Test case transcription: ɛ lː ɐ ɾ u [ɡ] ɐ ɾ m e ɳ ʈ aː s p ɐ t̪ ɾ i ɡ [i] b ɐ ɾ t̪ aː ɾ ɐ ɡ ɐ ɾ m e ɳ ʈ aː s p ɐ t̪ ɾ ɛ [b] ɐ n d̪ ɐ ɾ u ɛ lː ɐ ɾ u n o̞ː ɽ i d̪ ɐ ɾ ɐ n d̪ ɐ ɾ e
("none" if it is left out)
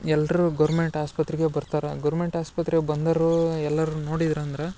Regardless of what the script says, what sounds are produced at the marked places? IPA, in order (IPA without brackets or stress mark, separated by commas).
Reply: ɡ, e, b